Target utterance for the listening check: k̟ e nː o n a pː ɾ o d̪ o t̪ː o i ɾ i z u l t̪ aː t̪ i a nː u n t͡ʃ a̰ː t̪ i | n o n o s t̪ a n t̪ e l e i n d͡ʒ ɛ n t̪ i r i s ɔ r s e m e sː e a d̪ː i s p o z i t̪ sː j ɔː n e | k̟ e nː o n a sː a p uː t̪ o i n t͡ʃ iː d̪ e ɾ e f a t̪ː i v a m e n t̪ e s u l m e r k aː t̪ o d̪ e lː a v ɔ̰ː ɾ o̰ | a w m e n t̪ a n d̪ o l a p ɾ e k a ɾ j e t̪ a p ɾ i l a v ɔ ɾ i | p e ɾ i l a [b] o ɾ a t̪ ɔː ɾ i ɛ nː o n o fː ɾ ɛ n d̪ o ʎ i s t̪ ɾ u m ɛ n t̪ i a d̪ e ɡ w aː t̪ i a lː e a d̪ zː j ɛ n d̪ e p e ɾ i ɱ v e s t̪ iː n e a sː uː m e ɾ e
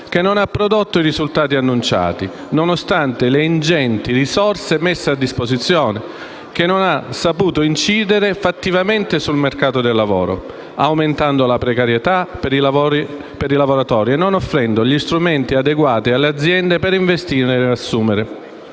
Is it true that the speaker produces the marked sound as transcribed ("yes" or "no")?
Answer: no